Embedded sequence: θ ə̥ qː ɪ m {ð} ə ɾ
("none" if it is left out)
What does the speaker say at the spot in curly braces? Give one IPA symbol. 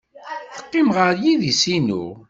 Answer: ʁ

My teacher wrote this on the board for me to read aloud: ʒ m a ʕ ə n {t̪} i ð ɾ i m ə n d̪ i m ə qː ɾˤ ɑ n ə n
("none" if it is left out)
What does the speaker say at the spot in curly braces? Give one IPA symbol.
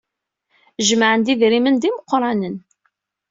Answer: d̪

